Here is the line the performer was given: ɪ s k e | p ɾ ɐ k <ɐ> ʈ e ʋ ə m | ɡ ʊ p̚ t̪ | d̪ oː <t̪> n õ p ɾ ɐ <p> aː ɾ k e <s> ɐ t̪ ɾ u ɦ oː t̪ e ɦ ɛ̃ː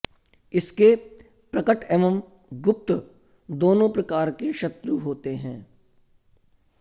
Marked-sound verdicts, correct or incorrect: incorrect: ə, incorrect: none, incorrect: k, incorrect: ʃ

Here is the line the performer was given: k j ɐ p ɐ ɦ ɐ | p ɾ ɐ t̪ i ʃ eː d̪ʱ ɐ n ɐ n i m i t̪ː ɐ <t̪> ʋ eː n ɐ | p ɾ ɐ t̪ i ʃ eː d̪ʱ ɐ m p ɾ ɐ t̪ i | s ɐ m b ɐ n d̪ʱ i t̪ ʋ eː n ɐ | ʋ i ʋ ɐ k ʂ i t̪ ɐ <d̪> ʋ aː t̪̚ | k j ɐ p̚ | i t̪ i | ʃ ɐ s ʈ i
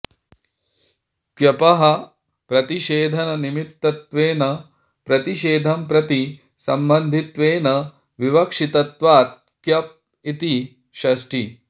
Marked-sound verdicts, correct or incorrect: correct, incorrect: t̪

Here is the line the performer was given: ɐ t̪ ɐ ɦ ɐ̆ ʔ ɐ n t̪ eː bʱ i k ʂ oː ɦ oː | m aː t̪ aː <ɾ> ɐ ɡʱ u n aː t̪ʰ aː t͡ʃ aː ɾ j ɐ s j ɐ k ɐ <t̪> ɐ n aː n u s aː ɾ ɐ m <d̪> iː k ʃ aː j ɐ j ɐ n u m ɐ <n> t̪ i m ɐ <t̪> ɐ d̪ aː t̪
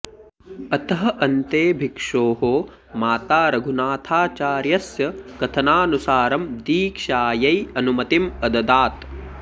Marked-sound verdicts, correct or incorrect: correct, incorrect: t̪ʰ, correct, incorrect: none, incorrect: d̪

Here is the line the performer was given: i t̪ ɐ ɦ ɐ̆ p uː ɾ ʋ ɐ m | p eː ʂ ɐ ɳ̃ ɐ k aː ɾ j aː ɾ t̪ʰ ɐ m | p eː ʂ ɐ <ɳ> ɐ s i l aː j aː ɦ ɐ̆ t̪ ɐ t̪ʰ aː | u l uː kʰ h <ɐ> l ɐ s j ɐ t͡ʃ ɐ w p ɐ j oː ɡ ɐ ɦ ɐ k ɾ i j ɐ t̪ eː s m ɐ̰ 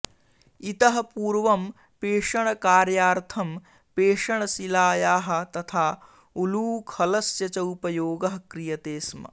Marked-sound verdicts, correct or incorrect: correct, correct

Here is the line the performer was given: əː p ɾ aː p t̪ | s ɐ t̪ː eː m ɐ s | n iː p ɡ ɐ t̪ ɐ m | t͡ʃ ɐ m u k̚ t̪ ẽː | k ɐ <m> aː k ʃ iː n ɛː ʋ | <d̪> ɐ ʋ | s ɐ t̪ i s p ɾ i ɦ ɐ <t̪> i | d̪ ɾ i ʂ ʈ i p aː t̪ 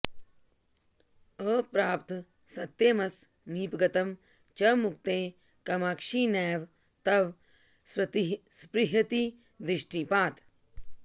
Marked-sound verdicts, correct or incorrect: correct, incorrect: t̪, correct

